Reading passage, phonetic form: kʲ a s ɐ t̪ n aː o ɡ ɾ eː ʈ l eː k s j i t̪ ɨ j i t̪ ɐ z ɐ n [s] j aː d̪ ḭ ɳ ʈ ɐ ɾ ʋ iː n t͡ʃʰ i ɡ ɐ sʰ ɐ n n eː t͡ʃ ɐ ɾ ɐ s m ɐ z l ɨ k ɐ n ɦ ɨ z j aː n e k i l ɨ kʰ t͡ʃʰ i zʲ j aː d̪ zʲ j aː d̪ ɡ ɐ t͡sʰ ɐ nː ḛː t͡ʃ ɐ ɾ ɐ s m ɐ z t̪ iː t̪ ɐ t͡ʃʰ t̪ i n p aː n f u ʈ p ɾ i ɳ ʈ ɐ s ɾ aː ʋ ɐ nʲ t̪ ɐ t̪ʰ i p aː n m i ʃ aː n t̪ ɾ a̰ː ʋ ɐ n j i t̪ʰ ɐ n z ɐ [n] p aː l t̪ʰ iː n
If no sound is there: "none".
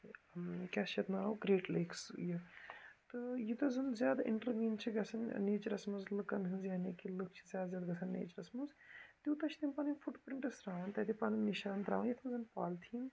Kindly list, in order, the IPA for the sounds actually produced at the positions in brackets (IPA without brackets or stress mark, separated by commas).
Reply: z, n